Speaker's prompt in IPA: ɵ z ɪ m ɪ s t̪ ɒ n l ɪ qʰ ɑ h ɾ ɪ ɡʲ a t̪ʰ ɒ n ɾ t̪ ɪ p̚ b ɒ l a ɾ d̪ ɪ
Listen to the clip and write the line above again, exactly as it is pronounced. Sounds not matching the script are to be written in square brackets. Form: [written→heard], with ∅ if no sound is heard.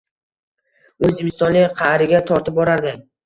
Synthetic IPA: ɵ z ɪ m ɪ s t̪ ɒ n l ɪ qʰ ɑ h ɾ ɪ ɡʲ a t̪ʰ ɒ [n→∅] ɾ t̪ ɪ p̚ b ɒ [l→ɾ] a ɾ d̪ ɪ